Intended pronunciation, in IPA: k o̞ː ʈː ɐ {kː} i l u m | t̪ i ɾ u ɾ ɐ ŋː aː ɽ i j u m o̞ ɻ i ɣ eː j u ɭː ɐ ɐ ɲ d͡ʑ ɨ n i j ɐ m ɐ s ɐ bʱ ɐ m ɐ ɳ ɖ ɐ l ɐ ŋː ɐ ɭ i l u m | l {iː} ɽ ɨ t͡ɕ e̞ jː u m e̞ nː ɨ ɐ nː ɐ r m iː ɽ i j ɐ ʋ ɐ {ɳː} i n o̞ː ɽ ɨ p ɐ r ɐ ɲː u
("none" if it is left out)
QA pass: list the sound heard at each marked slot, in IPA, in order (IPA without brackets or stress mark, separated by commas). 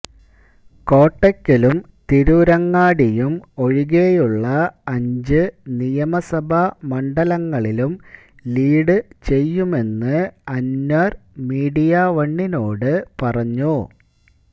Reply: kː, iː, ɳː